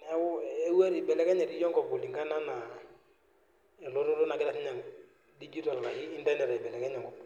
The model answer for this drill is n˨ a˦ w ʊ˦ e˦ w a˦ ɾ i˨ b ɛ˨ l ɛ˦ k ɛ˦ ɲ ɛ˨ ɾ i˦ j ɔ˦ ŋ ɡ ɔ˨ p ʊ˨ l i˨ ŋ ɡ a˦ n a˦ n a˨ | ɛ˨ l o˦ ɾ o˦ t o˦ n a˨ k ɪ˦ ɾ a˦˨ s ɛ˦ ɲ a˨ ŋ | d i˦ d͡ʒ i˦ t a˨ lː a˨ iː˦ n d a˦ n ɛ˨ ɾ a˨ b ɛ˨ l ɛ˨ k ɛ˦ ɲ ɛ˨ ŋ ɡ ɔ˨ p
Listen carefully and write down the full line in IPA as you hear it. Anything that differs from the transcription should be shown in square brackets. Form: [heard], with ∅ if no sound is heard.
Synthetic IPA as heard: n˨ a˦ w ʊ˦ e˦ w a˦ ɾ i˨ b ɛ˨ l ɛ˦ k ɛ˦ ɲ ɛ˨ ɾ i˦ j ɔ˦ ŋ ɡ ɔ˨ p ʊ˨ l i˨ ŋ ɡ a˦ n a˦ n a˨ | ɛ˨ l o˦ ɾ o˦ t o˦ n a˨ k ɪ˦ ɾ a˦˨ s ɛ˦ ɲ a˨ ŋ | d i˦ d͡ʒ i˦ t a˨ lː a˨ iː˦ n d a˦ n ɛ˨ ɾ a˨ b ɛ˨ l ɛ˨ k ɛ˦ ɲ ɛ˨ ŋ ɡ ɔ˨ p